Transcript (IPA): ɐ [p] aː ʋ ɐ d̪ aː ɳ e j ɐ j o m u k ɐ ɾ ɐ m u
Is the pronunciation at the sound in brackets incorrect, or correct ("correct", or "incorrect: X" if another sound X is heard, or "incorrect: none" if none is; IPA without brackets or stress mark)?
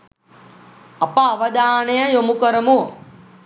correct